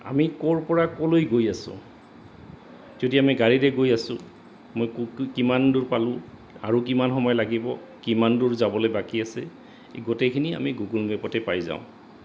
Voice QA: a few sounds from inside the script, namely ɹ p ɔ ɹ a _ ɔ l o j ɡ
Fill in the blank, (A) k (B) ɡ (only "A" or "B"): A